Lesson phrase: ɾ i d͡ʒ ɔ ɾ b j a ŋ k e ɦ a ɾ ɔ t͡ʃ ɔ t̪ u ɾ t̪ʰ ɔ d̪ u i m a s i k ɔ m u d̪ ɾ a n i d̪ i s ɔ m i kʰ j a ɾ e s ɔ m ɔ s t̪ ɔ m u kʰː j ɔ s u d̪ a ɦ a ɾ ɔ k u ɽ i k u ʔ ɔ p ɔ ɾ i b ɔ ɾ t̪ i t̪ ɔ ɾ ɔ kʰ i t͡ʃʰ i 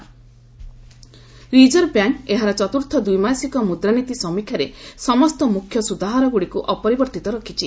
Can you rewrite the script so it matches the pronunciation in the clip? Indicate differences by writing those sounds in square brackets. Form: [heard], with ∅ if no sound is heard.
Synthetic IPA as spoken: ɾ i d͡ʒ ɔ ɾ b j a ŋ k e ɦ a ɾ ɔ t͡ʃ ɔ t̪ u ɾ t̪ʰ ɔ d̪ u [j] m a s i k ɔ m u d̪ ɾ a n i [t̪] i s ɔ m i kʰ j a ɾ e s ɔ m ɔ s t̪ ɔ m u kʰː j ɔ s u d̪ a ɦ a ɾ ɔ [ɡ] u ɽ i k u ʔ ɔ p ɔ ɾ i b ɔ ɾ t̪ i t̪ ɔ ɾ ɔ kʰ i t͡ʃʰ i